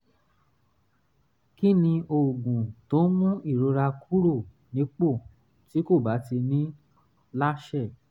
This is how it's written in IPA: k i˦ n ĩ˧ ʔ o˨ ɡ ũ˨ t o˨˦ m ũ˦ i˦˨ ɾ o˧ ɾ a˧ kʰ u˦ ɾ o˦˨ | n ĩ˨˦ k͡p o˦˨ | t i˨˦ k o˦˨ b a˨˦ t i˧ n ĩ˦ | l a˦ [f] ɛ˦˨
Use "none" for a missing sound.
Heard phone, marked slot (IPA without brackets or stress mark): ʃ